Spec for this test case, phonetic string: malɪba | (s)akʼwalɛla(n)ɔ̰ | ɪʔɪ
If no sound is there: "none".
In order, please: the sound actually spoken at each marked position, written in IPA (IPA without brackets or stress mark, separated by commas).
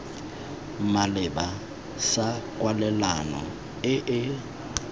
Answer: s, n